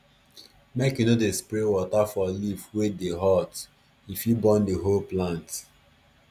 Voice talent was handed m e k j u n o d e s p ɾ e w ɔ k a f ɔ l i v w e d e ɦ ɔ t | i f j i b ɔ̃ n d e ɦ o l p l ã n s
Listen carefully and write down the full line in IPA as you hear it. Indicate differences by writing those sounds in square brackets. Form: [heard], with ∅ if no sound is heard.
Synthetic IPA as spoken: m e k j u n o d e s p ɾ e w ɔ [t] a f ɔ l i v w e d e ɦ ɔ t | i f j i b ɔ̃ n d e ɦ o l p l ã n [t]